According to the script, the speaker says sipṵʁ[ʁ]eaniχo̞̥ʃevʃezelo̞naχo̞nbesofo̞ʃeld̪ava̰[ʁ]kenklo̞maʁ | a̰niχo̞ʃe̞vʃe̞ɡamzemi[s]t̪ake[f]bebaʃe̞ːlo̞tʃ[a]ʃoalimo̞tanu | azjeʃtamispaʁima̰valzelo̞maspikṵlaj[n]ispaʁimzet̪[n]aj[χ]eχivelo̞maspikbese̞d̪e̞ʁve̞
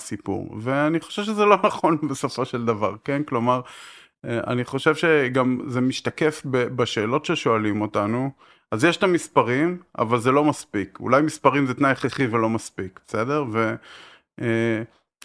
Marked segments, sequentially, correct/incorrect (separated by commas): incorrect, correct, incorrect, correct, incorrect, incorrect, correct, correct